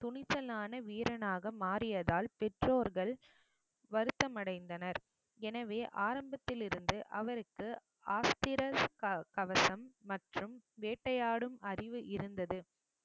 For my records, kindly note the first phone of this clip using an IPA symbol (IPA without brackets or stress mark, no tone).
t̪